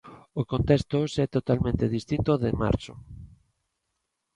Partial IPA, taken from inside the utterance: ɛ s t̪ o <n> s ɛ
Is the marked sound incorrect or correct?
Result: incorrect